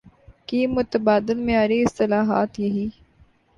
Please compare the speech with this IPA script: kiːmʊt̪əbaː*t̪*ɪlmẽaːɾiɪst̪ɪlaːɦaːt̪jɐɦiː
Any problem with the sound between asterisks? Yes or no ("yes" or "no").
yes